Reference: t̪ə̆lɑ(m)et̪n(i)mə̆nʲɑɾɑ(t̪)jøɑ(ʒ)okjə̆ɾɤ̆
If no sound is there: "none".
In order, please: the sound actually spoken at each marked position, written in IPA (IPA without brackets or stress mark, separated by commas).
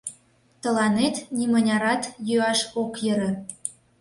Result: n, i, t̪, ʃ